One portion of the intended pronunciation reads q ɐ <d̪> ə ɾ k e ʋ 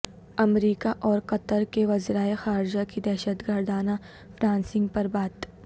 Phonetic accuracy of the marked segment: incorrect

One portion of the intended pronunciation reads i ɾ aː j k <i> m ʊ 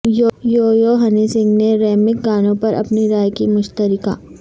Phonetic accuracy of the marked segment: correct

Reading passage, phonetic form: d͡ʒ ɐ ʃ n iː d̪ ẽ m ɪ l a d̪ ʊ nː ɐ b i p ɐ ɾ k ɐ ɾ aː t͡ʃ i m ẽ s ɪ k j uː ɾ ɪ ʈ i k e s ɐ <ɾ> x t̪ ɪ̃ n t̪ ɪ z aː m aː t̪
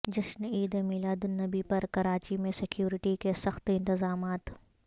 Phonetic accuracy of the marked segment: incorrect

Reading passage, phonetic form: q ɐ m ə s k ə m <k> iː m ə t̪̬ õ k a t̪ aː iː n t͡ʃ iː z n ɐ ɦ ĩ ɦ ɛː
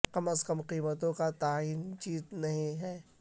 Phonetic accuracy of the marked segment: incorrect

